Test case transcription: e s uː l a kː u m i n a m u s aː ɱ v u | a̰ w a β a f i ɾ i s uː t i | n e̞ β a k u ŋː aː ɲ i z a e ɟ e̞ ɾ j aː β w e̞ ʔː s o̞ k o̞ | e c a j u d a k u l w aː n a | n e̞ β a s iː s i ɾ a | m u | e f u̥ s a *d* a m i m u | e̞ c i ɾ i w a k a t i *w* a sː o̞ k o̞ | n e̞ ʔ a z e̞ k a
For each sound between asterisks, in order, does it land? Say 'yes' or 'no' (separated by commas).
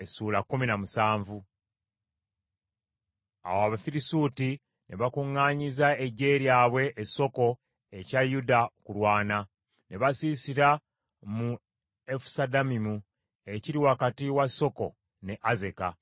yes, yes